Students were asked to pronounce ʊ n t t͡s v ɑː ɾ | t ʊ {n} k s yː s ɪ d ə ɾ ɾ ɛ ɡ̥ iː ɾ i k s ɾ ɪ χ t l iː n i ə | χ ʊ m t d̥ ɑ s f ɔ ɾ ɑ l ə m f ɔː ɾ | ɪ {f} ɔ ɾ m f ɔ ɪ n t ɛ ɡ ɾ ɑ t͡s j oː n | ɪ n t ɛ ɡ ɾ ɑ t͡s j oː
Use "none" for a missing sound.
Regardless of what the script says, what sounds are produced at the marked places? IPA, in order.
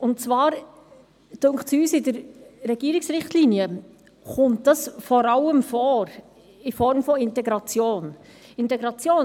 ŋ, f

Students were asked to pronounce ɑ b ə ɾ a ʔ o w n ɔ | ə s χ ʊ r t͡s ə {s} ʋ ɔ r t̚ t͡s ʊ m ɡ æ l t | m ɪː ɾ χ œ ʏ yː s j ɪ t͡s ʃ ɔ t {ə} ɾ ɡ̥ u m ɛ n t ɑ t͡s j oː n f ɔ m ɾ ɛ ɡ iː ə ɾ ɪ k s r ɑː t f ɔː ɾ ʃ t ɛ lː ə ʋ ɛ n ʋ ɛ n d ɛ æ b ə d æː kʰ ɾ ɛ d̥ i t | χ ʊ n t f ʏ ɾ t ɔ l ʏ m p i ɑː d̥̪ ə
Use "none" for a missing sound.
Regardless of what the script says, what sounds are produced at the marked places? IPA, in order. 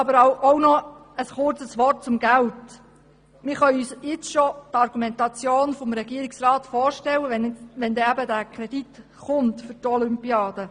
s, ɑ

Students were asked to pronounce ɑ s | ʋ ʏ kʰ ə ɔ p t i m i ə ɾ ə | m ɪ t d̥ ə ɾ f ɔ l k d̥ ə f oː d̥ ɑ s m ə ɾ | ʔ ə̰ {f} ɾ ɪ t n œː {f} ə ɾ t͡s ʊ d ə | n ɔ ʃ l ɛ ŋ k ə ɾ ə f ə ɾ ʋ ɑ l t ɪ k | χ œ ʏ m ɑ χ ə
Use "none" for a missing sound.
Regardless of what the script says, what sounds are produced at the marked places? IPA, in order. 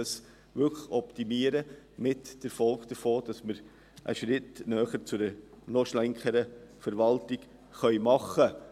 ʃ, χ

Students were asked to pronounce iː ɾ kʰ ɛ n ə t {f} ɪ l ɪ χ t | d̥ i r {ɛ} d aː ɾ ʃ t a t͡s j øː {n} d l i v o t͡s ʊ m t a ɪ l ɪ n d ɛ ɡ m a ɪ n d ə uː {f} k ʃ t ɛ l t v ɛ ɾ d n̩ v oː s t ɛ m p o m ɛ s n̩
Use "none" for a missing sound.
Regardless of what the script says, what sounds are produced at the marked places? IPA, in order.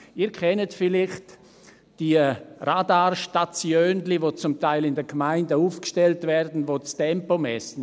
f, a, n, f

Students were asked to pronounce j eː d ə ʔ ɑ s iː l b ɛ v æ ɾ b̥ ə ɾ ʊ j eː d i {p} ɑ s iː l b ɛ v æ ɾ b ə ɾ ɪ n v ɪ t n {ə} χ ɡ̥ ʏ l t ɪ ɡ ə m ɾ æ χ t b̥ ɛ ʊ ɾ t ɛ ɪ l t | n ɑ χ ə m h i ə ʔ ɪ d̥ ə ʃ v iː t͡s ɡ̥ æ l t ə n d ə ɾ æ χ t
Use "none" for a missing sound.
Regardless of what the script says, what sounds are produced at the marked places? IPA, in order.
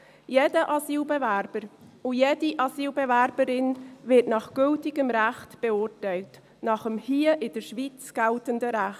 ʔ, ɑ

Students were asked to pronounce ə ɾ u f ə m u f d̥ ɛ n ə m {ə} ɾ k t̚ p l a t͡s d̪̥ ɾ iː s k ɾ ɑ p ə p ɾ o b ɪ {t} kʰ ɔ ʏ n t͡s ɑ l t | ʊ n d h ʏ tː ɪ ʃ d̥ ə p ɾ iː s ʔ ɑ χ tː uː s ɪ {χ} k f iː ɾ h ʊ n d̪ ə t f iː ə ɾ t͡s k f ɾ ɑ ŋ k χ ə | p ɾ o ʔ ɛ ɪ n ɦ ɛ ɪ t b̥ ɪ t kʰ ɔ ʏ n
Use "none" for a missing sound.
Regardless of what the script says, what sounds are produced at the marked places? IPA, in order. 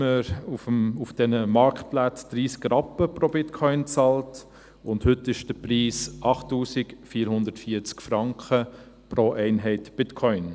ɑ, t, none

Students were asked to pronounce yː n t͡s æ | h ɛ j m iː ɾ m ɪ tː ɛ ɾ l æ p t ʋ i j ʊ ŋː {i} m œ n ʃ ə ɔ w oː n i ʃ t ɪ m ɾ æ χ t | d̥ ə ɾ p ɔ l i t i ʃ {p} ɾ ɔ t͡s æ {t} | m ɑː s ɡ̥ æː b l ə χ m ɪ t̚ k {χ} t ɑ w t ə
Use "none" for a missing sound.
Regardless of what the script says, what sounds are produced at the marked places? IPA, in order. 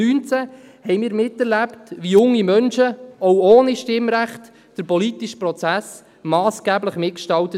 i, p, s, ʃ

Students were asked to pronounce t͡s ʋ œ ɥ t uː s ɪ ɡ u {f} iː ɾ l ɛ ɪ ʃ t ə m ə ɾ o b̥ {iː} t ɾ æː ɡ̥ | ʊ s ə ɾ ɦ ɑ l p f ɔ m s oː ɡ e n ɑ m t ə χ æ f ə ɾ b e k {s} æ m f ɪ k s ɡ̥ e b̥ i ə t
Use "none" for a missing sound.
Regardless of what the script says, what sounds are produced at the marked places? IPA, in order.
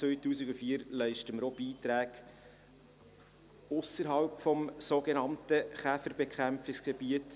f, iː, χ

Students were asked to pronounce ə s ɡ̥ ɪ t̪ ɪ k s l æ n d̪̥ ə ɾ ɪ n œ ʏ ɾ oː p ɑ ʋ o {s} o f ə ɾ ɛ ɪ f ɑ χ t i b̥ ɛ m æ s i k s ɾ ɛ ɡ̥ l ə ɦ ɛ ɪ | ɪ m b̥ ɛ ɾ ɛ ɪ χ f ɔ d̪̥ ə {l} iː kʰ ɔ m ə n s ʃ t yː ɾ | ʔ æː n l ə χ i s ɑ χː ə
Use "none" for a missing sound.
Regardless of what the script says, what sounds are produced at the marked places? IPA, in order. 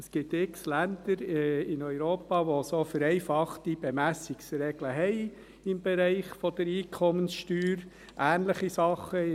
s, ɾ

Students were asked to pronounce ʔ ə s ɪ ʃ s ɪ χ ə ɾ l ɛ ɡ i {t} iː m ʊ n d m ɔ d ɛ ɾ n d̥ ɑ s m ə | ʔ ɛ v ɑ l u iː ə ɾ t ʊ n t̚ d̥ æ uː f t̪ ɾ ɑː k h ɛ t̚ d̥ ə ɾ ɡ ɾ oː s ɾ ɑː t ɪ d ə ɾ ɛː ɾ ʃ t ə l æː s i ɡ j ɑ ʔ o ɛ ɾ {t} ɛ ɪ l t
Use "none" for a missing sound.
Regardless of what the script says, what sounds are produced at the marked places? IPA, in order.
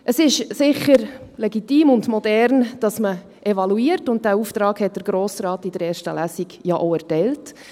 t, t

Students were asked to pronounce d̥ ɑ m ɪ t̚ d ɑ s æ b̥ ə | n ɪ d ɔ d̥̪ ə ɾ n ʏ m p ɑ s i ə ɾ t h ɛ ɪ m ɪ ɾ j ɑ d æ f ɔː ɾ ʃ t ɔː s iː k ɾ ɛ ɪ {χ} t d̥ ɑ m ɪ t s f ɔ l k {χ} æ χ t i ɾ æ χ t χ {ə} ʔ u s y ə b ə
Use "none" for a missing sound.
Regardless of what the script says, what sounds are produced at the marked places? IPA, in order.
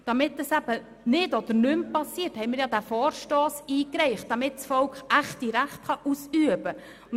χ, χ, ɑ

